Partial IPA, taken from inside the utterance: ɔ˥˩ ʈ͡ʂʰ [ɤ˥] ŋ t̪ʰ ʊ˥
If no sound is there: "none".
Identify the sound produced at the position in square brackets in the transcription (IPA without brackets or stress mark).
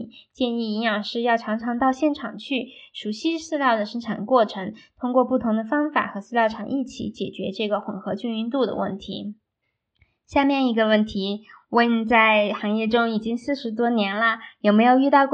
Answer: ɤ˧˥